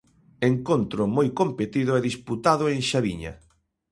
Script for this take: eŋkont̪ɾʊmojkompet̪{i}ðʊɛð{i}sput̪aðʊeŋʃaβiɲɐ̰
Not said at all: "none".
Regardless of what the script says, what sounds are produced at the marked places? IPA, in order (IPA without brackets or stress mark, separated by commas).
i, i